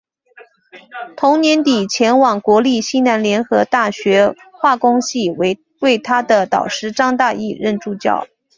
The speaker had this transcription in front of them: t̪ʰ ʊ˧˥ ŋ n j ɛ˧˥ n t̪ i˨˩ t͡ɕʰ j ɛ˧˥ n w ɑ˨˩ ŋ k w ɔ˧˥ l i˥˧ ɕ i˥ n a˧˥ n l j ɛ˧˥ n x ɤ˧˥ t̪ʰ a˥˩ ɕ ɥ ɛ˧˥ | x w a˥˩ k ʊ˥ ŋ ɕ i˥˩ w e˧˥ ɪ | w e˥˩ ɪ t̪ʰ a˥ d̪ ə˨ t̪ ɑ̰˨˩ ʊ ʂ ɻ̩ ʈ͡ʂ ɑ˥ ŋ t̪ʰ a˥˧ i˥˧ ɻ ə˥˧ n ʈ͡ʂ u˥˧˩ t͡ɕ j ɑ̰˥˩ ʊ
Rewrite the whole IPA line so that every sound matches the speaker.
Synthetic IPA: t̪ʰ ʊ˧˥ ŋ n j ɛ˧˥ n t̪ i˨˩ t͡ɕʰ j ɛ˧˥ n w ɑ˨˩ ŋ k w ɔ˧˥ l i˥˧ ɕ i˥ n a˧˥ n l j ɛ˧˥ n x ɤ˧˥ t̪ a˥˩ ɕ ɥ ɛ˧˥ | x w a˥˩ k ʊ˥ ŋ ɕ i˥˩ w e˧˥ ɪ | w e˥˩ ɪ t̪ʰ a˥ d̪ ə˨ t̪ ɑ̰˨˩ ʊ ʂ ɻ̩ ʈ͡ʂ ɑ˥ ŋ t̪ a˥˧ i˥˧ ɻ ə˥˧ n ʈ͡ʂ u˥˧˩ t͡ɕ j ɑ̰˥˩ ʊ